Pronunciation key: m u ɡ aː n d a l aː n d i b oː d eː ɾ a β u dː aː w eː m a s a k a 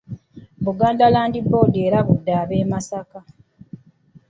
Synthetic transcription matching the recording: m u ɡ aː n d a l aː n d i b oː d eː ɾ a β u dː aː β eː m a s a k a